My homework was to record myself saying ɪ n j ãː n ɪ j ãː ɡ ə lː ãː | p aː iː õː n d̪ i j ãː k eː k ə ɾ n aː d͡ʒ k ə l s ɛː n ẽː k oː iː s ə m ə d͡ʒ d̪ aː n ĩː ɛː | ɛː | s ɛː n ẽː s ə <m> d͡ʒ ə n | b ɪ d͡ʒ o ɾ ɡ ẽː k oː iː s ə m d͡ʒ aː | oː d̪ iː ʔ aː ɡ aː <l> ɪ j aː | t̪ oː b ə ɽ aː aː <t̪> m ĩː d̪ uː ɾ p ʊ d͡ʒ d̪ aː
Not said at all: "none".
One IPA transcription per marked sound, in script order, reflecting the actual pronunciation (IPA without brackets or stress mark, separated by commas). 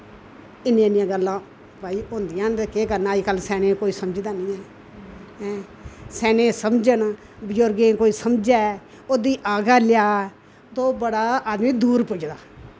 m, l, d̪